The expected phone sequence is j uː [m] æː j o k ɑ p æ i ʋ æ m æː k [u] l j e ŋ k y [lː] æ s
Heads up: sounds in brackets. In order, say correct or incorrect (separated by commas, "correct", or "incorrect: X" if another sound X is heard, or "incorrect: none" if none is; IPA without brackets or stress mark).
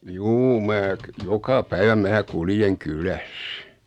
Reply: correct, correct, incorrect: l